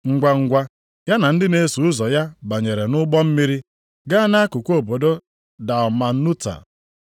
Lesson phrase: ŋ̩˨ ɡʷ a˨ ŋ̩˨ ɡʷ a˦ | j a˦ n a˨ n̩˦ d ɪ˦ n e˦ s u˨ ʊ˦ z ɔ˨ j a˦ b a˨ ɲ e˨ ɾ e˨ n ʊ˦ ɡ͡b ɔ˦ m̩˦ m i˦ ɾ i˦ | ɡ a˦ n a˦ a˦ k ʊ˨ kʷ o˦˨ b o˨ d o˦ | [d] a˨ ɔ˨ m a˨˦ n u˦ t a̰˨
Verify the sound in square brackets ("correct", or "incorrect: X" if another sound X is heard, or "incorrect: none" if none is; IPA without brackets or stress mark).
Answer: correct